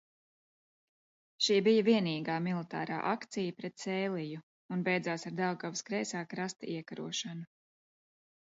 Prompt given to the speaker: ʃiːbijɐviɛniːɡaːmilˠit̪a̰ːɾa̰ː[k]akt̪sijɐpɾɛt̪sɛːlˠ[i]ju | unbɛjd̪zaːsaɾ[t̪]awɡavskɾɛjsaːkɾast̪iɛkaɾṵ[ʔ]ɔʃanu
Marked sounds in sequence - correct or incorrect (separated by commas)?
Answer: incorrect, correct, incorrect, incorrect